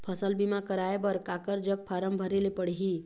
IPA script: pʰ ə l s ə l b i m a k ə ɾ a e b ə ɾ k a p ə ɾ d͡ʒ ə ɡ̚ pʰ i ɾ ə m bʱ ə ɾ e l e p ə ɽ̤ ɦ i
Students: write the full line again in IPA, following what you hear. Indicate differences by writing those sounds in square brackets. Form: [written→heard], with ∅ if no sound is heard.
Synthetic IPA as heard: pʰ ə [l→∅] s ə l b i m a k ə ɾ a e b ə ɾ k a [p→k] ə ɾ d͡ʒ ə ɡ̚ pʰ [i→a] ɾ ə m bʱ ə ɾ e l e p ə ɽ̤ ɦ i